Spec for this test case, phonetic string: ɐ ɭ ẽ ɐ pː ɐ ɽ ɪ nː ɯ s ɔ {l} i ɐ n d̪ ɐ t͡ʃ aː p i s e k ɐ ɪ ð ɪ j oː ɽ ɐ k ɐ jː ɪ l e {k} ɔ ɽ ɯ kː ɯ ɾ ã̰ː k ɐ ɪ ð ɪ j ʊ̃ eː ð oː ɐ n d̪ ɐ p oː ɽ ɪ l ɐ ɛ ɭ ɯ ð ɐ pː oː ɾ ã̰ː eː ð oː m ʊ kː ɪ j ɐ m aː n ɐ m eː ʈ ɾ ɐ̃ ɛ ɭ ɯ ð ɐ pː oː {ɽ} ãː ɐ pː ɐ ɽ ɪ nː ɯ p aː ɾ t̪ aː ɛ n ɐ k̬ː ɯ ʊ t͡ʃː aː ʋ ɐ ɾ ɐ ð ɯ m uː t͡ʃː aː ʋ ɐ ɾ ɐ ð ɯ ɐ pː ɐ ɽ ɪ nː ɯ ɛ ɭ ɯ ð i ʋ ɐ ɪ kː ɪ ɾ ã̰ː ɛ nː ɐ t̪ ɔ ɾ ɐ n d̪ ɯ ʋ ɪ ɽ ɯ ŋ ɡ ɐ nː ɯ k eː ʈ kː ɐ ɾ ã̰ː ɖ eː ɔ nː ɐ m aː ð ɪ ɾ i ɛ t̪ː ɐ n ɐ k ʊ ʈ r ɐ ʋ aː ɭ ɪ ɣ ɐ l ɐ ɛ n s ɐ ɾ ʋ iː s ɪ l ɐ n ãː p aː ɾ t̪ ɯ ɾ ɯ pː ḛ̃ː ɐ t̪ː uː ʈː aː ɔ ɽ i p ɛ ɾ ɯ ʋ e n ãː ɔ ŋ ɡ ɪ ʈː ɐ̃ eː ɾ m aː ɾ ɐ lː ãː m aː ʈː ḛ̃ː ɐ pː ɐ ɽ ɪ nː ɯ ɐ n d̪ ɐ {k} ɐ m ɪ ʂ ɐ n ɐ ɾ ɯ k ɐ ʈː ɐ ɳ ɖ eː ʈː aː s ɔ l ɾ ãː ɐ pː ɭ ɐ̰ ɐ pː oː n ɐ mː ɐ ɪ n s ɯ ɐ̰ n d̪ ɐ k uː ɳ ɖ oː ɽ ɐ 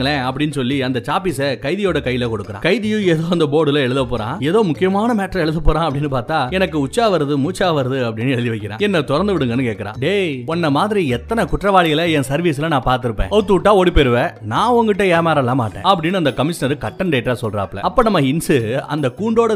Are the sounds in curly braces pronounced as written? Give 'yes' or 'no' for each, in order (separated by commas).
no, yes, no, yes